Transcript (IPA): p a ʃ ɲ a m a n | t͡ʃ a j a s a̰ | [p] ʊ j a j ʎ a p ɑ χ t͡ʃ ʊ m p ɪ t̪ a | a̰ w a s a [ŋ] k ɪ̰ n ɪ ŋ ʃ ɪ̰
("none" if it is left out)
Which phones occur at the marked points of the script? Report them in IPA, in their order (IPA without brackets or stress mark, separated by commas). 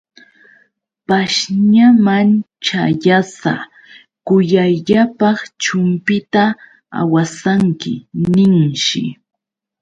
k, ŋ